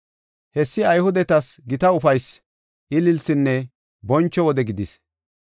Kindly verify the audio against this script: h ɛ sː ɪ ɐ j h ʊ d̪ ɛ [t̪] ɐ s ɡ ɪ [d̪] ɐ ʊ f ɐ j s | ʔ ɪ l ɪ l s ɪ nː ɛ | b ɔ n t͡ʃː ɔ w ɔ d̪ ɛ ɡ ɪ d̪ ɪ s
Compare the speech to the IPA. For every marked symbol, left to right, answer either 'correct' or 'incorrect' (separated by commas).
correct, incorrect